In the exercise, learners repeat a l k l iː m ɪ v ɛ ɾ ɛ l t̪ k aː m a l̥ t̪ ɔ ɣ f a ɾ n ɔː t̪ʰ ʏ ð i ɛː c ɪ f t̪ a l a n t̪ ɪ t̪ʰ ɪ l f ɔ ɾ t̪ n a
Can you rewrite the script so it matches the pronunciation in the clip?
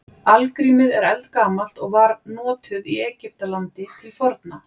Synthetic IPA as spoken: a l k ɾ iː m ɪ ð ɛ ɾ ɛ l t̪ k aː m a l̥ t̪ ɔ ɣ v a ɾ n ɔː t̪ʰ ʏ ð i ɛː c ɪ f t̪ a l a n t̪ ɪ t̪ʰ ɪ l f ɔ ɾ t̪ n a